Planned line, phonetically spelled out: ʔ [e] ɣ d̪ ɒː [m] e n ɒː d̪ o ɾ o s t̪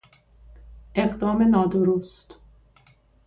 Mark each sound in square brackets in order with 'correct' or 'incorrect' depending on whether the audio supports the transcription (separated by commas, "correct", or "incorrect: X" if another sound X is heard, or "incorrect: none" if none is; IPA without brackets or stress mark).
correct, correct